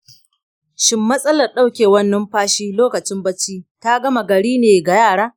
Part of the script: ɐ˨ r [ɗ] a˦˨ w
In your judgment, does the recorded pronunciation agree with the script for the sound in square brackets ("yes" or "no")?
yes